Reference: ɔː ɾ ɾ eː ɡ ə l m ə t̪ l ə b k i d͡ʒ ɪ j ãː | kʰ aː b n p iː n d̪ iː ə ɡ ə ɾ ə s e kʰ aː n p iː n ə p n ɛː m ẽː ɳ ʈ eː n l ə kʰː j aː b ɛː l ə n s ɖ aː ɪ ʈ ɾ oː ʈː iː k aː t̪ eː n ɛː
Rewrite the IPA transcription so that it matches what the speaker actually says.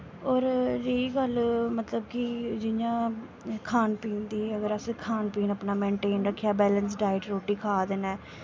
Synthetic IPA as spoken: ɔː ɾ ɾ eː ɡ ə l m ə t̪ l ə b k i d͡ʒ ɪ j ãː | kʰ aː n p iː n d̪ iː ə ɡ ə ɾ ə s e kʰ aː n p iː n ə p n aː m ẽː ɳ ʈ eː n ɾ ə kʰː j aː b ɛː l ə n s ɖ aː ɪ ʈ ɾ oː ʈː iː kʰ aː d̪ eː n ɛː